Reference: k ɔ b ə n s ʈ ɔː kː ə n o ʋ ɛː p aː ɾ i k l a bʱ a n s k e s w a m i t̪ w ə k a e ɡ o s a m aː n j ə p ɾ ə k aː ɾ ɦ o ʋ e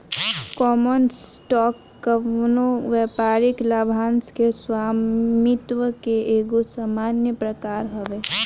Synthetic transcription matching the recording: k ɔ m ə n s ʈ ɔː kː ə n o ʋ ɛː p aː ɾ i k l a bʱ a n s k e s w a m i t̪ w ə k e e ɡ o s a m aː n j ə p ɾ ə k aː ɾ ɦ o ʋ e